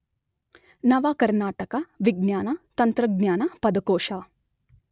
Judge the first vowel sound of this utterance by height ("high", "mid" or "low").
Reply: low